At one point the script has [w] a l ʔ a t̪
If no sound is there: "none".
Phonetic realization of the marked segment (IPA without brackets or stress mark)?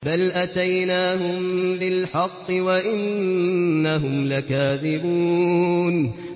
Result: b